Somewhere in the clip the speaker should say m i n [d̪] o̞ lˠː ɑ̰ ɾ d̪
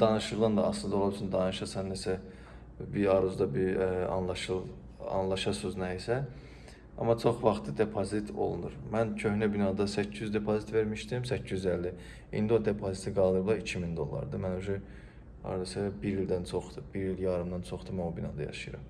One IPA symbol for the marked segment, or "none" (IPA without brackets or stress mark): d̪